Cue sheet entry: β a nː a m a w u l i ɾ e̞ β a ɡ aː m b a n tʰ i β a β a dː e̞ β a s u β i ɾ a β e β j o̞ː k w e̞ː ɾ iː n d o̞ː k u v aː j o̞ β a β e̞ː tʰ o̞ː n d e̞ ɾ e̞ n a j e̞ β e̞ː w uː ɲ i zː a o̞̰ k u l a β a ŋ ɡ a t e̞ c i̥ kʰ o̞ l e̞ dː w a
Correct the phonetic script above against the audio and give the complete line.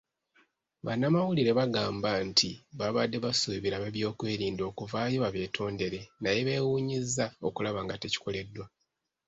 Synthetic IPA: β a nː a m a w u l i ɾ e̞ β a ɡ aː m b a n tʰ i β a β a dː e̞ β a s u β i ɾ a β e β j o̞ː k w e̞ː ɾ iː n d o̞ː k u v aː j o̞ β a β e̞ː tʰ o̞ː n d e̞ ɾ e̞ n a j e̞ β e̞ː w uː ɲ i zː a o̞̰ k u l a β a ŋ ɡ a t e̞ c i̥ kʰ o̞ l e̞ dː w a